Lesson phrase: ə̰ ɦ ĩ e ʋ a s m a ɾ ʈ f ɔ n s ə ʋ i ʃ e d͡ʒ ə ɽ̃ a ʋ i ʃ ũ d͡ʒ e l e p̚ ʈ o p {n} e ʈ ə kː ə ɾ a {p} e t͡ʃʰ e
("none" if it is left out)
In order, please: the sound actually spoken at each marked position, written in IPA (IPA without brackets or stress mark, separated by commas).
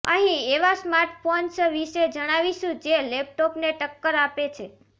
n, p